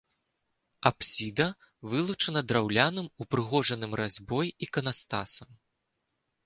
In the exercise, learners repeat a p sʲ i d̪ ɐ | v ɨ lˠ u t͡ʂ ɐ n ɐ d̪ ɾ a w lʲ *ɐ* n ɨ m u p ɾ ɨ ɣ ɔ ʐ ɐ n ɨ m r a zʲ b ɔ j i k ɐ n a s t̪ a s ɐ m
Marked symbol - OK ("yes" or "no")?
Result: no